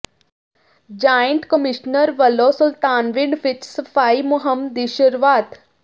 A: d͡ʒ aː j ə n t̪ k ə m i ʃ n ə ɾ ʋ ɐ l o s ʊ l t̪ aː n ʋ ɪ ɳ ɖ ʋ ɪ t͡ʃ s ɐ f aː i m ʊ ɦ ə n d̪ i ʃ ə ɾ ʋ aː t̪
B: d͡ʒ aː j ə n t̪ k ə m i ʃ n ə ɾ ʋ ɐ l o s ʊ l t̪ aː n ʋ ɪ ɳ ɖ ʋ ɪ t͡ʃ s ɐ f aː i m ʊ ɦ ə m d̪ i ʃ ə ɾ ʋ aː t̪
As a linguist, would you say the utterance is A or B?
B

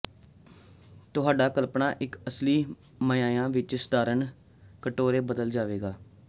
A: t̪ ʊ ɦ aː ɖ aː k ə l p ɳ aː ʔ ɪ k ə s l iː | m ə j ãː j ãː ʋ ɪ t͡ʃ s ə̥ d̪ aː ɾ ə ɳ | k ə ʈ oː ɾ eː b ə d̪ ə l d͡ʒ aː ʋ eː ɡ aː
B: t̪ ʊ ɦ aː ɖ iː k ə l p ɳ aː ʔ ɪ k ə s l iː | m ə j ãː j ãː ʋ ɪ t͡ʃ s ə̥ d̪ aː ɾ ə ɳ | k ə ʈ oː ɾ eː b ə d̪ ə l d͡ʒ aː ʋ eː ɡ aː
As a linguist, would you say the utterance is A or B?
A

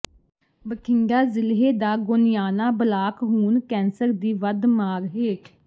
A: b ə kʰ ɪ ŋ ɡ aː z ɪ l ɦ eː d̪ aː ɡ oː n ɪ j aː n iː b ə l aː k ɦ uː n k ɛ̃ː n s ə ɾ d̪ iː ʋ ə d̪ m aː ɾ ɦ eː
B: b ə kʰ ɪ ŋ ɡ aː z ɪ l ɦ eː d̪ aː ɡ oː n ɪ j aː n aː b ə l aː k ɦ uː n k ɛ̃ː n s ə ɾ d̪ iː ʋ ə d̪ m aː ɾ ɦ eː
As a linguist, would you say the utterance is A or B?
B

